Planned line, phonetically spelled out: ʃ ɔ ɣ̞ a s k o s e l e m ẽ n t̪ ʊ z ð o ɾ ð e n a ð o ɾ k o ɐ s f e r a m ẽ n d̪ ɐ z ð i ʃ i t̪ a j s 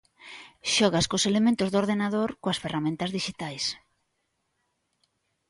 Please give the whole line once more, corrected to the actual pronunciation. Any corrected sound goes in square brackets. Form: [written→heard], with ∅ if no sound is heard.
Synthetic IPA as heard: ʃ ɔ ɣ̞ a s k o s e l e m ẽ n t̪ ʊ z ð o ɾ ð e n a ð o ɾ k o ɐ s f e r a m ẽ n [d̪→t̪] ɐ z ð i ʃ i t̪ a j s